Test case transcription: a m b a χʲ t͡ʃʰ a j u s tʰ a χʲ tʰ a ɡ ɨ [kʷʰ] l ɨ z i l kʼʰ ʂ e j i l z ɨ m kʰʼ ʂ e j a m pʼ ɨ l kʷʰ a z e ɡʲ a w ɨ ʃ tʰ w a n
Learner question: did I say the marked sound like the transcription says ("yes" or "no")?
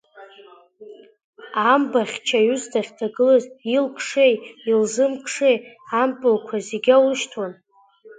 no